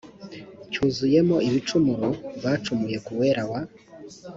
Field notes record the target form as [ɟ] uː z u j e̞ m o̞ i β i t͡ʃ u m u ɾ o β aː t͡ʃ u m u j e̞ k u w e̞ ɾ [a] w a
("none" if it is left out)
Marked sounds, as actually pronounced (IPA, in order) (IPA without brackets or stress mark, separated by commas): c, a